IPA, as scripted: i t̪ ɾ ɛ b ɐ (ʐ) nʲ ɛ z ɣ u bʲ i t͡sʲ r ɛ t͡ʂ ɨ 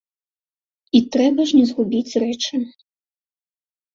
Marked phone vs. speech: correct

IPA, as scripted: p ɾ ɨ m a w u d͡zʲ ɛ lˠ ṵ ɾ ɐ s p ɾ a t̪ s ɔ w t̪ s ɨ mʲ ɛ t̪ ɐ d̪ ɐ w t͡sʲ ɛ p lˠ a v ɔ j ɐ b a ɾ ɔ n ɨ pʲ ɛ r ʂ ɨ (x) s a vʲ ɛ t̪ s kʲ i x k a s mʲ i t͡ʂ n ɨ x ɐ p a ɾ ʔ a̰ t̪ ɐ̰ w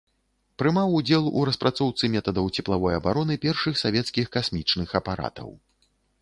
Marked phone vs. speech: correct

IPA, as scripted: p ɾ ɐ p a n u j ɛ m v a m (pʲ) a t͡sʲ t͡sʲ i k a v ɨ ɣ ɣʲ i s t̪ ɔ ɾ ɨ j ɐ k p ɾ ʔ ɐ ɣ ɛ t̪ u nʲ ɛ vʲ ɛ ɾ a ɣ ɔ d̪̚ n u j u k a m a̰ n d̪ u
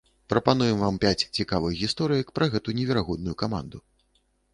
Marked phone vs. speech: correct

